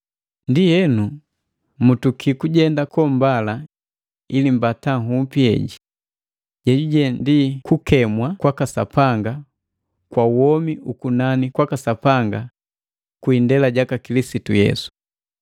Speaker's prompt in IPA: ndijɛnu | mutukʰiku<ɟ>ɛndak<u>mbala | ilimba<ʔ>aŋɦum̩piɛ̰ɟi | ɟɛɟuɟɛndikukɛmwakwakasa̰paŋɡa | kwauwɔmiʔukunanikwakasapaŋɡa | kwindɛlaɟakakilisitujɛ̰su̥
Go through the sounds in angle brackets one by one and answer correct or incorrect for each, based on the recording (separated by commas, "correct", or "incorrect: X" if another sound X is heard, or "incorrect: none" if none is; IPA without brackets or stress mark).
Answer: correct, incorrect: ɔ, incorrect: t